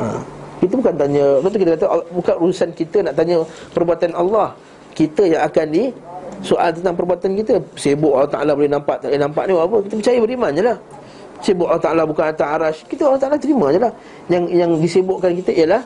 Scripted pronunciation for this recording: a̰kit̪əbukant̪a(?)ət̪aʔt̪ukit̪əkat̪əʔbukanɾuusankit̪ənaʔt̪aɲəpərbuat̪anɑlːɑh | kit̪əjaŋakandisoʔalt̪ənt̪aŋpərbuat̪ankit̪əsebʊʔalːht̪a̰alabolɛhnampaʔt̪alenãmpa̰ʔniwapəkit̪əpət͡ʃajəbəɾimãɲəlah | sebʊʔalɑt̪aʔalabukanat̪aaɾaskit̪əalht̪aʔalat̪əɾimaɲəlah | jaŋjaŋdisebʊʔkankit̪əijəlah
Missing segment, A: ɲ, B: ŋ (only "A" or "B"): A